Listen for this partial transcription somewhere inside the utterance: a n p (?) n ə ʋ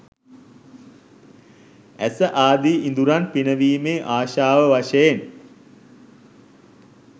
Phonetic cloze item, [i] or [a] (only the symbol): i